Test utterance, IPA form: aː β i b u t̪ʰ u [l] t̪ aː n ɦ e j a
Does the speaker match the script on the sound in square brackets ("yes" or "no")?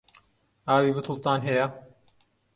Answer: yes